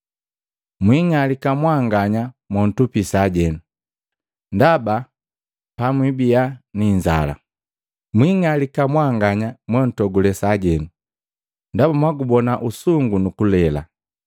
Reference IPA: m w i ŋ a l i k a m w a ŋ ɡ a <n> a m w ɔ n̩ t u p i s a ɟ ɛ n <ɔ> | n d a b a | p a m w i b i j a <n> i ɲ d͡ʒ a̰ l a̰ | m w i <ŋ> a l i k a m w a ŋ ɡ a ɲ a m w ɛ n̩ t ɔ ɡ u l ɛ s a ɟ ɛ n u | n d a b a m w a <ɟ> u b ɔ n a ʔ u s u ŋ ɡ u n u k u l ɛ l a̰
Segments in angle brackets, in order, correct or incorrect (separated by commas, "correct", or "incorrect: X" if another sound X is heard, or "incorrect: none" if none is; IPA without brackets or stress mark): incorrect: ɲ, incorrect: u, correct, correct, incorrect: ɡ